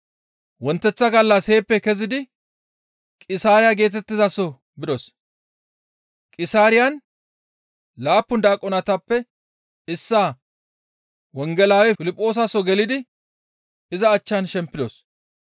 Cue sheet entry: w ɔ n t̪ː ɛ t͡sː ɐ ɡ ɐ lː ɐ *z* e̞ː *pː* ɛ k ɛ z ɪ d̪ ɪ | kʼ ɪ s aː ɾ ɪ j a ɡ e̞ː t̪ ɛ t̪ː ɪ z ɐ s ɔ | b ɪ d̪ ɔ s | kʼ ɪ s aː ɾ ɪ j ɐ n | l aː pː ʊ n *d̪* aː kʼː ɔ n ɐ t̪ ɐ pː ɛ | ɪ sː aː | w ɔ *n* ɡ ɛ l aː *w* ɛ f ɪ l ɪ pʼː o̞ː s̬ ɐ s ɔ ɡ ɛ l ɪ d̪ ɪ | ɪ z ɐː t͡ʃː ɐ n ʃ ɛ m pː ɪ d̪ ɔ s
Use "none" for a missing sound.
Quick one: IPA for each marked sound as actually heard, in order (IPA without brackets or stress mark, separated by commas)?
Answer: s, pː, d̪, ŋ, w